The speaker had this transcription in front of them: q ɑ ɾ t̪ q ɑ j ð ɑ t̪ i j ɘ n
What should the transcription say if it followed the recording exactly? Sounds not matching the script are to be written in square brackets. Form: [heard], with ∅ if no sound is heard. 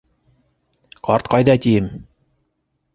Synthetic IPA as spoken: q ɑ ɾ t̪ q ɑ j ð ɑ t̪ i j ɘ [m]